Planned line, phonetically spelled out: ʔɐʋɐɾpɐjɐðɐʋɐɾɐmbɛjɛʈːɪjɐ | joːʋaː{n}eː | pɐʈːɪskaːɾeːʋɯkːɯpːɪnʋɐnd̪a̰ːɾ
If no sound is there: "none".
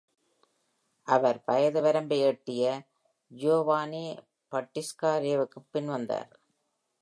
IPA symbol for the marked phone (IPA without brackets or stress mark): n